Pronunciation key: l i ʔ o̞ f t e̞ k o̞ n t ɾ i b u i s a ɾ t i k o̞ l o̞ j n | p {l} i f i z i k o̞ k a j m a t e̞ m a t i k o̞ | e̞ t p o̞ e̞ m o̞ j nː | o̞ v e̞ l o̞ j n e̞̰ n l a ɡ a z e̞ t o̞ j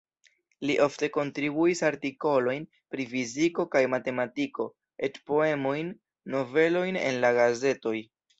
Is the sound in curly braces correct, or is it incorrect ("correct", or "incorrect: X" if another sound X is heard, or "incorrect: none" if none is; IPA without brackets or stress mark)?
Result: incorrect: ɾ